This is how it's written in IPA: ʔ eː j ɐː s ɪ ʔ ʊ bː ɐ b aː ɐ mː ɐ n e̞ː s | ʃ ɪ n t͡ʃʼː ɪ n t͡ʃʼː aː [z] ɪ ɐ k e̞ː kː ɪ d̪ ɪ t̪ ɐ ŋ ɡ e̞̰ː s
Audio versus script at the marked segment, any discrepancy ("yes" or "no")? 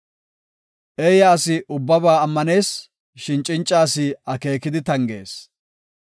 yes